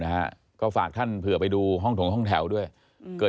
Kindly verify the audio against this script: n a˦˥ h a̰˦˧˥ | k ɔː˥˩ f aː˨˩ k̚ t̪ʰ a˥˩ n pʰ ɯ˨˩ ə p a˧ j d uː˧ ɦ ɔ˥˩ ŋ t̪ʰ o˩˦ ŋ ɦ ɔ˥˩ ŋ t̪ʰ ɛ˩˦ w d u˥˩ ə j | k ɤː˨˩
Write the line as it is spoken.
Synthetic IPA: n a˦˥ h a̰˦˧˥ | k ɔː˥˩ f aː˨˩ k̚ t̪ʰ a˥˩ n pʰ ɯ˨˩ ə p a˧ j d uː˧ ɦ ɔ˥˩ ŋ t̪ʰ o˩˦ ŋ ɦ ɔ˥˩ ŋ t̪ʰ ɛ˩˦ w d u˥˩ ə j | k ɤː˨˩